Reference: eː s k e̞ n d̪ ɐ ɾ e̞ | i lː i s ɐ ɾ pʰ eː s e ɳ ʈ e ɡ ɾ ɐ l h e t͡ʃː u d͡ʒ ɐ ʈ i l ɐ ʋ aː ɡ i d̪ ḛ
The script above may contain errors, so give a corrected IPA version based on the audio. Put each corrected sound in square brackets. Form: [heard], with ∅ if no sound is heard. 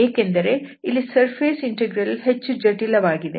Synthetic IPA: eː [∅] k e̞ n d̪ ɐ ɾ e̞ | i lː i s ɐ ɾ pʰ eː s [i] ɳ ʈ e ɡ ɾ ɐ l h e t͡ʃː u d͡ʒ ɐ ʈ i l ɐ ʋ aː ɡ i d̪ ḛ